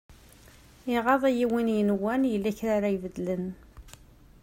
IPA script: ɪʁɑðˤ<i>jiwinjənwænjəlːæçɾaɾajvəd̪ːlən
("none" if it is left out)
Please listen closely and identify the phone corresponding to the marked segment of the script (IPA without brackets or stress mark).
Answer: æ